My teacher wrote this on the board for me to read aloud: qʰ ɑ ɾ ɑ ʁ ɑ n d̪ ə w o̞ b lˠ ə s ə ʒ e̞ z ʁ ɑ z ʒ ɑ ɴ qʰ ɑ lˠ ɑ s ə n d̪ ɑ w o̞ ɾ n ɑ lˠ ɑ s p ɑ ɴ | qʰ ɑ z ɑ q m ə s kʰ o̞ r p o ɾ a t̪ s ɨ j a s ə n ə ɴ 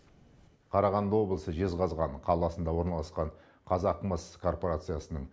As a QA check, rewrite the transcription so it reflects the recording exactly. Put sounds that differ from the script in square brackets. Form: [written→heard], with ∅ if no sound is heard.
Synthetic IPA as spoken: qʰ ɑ ɾ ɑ ʁ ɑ n d̪ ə w o̞ b lˠ ə s ə ʒ e̞ z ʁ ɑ z [ʒ→ʁ] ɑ ɴ qʰ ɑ lˠ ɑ s ə n d̪ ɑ w o̞ ɾ n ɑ lˠ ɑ s [p→q] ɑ ɴ | qʰ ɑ z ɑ q m ə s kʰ o̞ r p o ɾ a t̪ s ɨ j a s ə n ə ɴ

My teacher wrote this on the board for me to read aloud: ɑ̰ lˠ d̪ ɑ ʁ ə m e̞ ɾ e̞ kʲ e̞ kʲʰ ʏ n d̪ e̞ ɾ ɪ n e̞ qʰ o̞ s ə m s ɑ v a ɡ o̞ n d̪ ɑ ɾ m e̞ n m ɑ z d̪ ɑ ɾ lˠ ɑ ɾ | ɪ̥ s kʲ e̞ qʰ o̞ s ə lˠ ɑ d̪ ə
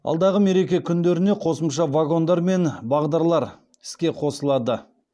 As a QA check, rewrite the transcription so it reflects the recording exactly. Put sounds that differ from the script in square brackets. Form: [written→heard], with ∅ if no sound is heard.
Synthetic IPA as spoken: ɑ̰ lˠ d̪ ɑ ʁ ə m e̞ ɾ e̞ kʲ e̞ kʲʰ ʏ n d̪ e̞ ɾ ɪ n e̞ qʰ o̞ s ə m [s→ʃ] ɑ v a ɡ o̞ n d̪ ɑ ɾ m e̞ n [m→b] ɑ [z→ʁ] d̪ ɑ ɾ lˠ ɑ ɾ | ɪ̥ s kʲ e̞ qʰ o̞ s ə lˠ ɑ d̪ ə

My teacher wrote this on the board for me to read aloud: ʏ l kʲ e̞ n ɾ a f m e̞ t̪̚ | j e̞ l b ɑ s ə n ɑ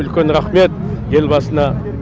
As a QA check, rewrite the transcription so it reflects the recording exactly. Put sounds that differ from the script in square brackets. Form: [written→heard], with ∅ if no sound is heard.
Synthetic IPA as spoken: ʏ l kʲ e̞ n ɾ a [f→χ] m e̞ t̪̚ | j e̞ l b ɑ s ə n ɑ

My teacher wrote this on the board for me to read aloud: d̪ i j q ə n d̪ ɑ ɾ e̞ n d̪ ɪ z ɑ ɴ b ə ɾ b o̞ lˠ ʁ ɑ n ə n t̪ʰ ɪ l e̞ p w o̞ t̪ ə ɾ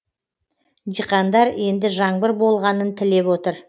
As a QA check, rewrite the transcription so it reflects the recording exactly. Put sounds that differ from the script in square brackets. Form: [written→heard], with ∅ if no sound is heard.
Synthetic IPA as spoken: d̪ i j q [ə→ɑ] n d̪ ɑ ɾ e̞ n d̪ ɪ [z→ʒ] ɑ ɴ b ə ɾ b o̞ lˠ ʁ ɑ n ə n t̪ʰ ɪ l e̞ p w o̞ t̪ ə ɾ

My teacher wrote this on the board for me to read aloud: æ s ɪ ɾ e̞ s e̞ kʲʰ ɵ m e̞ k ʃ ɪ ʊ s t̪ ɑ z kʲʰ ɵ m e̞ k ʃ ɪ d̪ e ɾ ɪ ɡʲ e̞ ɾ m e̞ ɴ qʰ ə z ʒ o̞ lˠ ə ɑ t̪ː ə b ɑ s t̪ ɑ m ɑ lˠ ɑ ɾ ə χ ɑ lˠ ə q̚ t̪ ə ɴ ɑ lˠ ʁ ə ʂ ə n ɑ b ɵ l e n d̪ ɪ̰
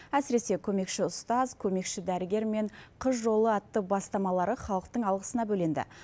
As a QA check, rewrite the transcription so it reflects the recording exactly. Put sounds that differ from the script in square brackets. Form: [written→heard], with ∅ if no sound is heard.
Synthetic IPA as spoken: æ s ɪ ɾ e̞ s e̞ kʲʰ ɵ m e̞ k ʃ ɪ ʊ s t̪ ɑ z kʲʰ ɵ m e̞ k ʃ ɪ d̪ [e→æ] ɾ ɪ ɡʲ e̞ ɾ m e̞ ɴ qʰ ə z ʒ o̞ lˠ ə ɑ t̪ː ə b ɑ s t̪ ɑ m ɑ lˠ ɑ ɾ ə χ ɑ lˠ ə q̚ t̪ ə ɴ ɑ lˠ ʁ ə [ʂ→s] ə n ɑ b ɵ l e n d̪ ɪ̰

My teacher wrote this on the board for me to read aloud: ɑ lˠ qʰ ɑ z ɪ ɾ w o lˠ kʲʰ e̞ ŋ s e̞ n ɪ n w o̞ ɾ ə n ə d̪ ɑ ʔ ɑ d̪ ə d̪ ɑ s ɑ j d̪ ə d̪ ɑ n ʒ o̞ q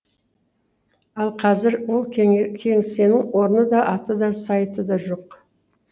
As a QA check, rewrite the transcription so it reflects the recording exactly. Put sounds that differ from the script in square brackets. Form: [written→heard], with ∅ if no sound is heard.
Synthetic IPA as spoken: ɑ lˠ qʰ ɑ z ɪ ɾ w o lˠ kʲʰ e̞ ŋ s e̞ n ɪ [n→ŋ] w o̞ ɾ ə n ə d̪ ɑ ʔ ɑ [d̪→t̪] ə d̪ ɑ s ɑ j [d̪→t̪] ə d̪ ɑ [n→∅] ʒ o̞ q

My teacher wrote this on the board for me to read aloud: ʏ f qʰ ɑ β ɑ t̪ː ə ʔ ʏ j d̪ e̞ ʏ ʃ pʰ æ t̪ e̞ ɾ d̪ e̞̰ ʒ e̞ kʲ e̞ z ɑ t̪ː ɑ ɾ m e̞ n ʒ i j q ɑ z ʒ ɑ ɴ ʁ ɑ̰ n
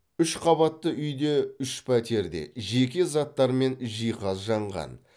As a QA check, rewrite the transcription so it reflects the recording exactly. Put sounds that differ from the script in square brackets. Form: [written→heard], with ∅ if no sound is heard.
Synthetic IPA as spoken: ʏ [f→ʃ] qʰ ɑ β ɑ t̪ː ə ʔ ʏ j d̪ e̞ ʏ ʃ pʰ æ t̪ e̞ ɾ d̪ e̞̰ ʒ e̞ kʲ e̞ z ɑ t̪ː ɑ ɾ m e̞ n ʒ i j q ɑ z ʒ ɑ ɴ ʁ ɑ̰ n

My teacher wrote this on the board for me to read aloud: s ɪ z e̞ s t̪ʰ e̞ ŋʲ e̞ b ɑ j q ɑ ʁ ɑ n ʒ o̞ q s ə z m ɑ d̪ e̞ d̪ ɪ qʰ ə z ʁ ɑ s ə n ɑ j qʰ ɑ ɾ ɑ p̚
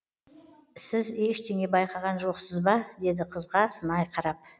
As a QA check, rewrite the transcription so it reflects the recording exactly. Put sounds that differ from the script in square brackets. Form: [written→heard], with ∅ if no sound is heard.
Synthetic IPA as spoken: s ɪ z e̞ [s→ʃ] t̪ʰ e̞ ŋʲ e̞ b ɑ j q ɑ ʁ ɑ n ʒ o̞ q s ə z [m→b] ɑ d̪ e̞ d̪ ɪ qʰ ə z ʁ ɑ s ə n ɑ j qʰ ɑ ɾ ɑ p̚

